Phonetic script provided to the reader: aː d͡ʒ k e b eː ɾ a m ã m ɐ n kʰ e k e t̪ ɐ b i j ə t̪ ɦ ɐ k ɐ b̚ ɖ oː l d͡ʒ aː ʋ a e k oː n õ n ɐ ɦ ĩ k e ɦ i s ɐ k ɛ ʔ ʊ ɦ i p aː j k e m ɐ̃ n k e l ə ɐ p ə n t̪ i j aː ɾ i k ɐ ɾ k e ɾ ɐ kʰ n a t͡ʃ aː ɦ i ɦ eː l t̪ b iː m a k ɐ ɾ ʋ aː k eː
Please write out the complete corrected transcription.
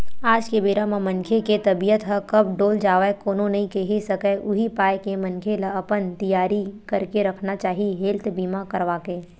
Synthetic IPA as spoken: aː d͡ʒ k e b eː ɾ a m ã m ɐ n kʰ e k e t̪ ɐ b i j ə t̪ ɦ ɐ k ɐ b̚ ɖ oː l d͡ʒ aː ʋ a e k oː n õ n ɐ ɦ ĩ k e ɦ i s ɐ k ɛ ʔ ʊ ɦ i p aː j k e m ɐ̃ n kʰ e l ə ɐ p ə n t̪ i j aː ɾ i k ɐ ɾ k e ɾ ɐ kʰ n a t͡ʃ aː ɦ i ɦ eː l t̪ b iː m a k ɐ ɾ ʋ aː k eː

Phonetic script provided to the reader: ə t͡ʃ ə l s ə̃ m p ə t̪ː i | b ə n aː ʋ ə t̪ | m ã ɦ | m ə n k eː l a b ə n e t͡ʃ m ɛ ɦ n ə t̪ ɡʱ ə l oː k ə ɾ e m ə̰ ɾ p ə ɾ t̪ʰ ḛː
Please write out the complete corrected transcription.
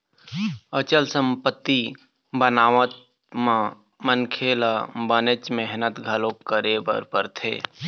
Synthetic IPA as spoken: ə t͡ʃ ə l s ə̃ m p ə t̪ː i | b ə n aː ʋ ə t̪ | m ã | m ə n kʰ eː l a b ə n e t͡ʃ m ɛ ɦ n ə t̪ ɡʱ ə l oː k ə ɾ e b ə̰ ɾ p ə ɾ t̪ʰ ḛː

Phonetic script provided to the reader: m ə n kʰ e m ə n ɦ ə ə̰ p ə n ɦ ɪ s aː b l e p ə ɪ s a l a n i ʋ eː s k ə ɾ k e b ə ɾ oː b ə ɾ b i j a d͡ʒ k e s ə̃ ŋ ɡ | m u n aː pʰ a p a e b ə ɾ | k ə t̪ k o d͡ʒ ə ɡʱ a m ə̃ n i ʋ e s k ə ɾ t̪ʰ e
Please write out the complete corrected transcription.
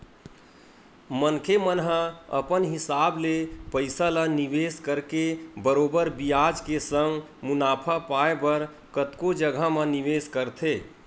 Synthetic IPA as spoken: m ə n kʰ e m ə n ɦ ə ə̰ p ə n ɦ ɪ s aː b l e p ə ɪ s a l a n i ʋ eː s k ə ɾ k e b ə ɾ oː b ə ɾ b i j a d͡ʒ k e s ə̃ ŋ ɡ | m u n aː pʰ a p a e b ə ɾ | k ə t̪ k o d͡ʒ ə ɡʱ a m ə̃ n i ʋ e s k ə ɾ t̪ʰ e

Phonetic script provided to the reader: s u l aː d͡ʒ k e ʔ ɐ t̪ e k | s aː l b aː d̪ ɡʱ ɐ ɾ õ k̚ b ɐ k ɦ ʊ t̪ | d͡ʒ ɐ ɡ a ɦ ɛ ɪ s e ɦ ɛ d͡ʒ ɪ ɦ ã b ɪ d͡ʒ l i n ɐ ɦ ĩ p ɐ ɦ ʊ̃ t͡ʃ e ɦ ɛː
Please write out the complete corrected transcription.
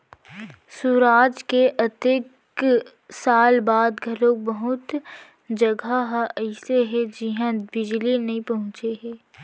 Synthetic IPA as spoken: s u ɾ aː d͡ʒ k e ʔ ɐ t̪ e k | s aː l b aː d̪ ɡʱ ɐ ɾ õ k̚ b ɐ ɦ ʊ t̪ | d͡ʒ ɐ ɡ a ɦ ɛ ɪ s e ɦ ɛ d͡ʒ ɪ ɦ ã b ɪ d͡ʒ l i n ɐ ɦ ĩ p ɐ ɦ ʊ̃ t͡ʃ e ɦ ɛː

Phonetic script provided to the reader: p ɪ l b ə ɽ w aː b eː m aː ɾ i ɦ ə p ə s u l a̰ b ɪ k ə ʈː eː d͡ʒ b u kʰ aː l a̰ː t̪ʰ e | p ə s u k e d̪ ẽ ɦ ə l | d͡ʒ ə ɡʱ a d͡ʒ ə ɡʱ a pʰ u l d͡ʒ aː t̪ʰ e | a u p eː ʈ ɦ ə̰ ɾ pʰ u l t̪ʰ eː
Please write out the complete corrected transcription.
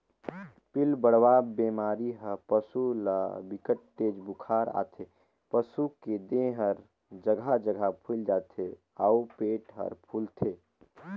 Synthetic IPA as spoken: p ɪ l b ə ɽ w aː b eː m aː ɾ i ɦ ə p ə s u l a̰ b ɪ k ə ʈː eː d͡ʒ b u kʰ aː ɾ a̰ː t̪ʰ e | p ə s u k e d̪ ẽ ɦ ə ɾ | d͡ʒ ə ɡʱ a d͡ʒ ə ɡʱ a pʰ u l d͡ʒ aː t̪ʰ e | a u p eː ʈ ɦ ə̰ ɾ pʰ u l t̪ʰ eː

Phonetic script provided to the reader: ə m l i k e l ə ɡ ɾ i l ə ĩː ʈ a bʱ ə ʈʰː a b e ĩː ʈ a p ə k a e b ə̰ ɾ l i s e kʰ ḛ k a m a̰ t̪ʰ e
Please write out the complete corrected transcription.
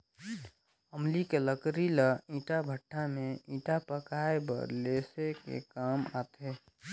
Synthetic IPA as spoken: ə m l i k e l ə k ɾ i l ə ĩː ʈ a bʱ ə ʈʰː a m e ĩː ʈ a p ə k a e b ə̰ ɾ l e s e k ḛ k a m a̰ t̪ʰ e

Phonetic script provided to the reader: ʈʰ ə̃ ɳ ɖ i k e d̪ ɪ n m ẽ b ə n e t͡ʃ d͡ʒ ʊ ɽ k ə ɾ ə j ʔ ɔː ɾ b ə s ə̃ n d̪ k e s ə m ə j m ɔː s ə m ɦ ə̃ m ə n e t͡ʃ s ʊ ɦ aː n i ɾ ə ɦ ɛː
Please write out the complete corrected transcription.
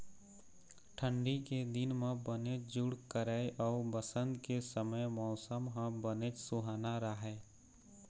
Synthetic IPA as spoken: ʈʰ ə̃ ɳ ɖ i k e d̪ ɪ n m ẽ b ə n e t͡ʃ d͡ʒ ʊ ɽ k ə ɾ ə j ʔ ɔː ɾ b ə s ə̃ n d̪ k e s ə m ə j m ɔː s ə m ɦ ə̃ b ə n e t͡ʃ s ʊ ɦ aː n a ɾ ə ɦ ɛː

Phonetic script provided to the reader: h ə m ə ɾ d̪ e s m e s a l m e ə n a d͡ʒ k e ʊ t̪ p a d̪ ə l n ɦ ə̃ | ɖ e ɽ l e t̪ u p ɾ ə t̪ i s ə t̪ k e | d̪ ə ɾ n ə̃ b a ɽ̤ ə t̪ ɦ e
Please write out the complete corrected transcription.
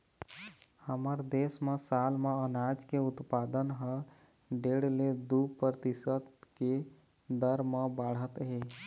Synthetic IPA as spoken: h ə m ə ɾ d̪ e s m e s a l m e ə n a d͡ʒ k e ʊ t̪ p a d̪ ə n ɦ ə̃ | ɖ e ɽ l e d̪ u p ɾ ə t̪ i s ə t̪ k e | d̪ ə ɾ m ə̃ b a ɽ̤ ə t̪ ɦ e

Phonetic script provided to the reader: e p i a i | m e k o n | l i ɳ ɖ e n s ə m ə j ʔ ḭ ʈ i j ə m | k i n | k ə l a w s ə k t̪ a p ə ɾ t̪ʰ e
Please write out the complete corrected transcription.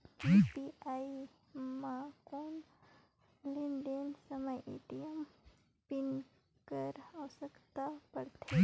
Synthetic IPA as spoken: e p i a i | m a k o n | l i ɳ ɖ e n s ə m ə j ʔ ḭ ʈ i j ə m | p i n | k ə ɾ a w s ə k t̪ a p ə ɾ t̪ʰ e

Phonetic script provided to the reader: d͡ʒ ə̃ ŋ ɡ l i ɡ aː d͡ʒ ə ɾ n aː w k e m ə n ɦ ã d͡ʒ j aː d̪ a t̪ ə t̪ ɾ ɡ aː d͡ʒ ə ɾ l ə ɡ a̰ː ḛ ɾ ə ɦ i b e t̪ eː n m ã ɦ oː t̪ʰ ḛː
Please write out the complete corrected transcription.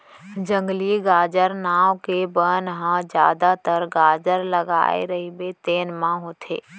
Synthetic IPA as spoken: d͡ʒ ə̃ ŋ ɡ l i ɡ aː d͡ʒ ə ɾ n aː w k e b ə n ɦ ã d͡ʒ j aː d̪ a t̪ ə ɾ ɡ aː d͡ʒ ə ɾ l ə ɡ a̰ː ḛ ɾ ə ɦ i b e t̪ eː n m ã ɦ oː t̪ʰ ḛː

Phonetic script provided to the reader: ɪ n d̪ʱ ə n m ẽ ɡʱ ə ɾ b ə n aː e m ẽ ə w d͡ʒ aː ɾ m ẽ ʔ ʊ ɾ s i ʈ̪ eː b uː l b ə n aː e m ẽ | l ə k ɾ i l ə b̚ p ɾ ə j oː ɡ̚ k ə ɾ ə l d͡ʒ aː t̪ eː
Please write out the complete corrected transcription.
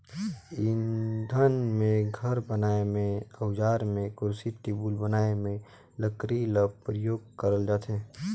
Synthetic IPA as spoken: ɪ n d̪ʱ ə n m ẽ ɡʱ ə ɾ b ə n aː e m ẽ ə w d͡ʒ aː ɾ m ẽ k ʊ ɾ s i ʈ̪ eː b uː l b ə n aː e m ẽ | l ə k ɾ i l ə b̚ p ɾ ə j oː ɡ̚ k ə ɾ ə l d͡ʒ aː t̪ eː

